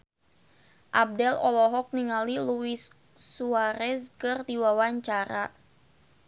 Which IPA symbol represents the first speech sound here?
ʔ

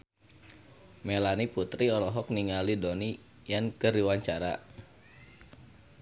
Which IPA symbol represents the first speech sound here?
m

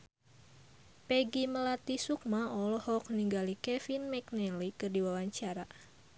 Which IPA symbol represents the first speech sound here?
p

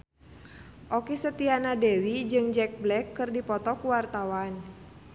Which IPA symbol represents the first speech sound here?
ʔ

